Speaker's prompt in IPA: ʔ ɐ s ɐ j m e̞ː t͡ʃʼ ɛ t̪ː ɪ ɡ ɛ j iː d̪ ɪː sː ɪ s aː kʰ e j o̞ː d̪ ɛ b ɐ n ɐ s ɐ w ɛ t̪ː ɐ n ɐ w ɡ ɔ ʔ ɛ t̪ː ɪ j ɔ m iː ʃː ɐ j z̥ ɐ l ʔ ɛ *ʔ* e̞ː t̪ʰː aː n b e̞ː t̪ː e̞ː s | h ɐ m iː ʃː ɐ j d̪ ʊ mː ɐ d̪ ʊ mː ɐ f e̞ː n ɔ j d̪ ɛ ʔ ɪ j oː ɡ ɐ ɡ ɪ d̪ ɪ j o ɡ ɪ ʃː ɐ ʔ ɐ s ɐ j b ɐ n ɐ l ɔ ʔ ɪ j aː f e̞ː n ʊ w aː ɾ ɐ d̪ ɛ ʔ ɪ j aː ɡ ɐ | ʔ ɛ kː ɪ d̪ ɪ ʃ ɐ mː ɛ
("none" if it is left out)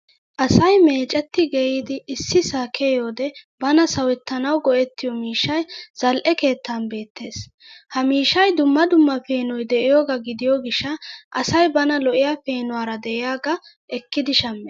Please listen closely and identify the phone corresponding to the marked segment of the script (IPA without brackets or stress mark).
k